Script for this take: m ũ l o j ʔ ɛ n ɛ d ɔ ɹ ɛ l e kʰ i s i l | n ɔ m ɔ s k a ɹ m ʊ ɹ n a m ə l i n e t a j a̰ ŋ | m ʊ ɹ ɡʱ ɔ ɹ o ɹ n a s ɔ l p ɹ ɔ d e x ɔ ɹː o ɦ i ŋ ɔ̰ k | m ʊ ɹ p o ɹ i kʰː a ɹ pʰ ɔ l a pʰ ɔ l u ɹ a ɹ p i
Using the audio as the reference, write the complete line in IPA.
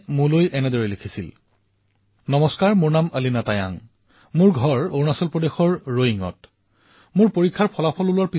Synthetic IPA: m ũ l o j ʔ ɛ n ɛ d ɔ ɹ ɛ l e kʰ i s i l | n ɔ m ɔ s k a ɹ m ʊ ɹ n a m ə l i n a t a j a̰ ŋ | m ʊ ɹ ɡʱ ɔ ɹ o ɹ n a s ɔ l p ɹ ɔ d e x ɔ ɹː o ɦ i ŋ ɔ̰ t | m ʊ ɹ p o ɹ i kʰː a ɹ pʰ ɔ l a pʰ ɔ l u l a ɹ p i

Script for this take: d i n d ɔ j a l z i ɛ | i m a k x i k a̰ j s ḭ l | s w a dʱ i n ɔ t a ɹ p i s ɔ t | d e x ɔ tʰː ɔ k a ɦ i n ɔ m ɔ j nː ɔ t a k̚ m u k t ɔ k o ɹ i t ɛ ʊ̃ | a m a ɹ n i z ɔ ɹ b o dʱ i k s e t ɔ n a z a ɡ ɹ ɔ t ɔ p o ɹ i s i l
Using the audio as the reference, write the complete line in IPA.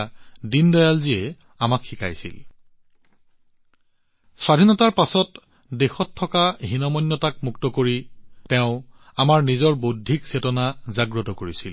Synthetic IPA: d i n d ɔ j a l z i ɛ | a m a k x i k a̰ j s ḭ l | s w a dʱ i n ɔ t a ɹ p a s ɔ t | d e x ɔ tʰː ɔ k a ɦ i n ɔ m ɔ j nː ɔ t a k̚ m u k t ɔ k o ɹ i t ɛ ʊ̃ | a m a ɹ n i z ɔ ɹ b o dʱ i k s e t ɔ n a z a ɡ ɹ ɔ t ɔ k o ɹ i s i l

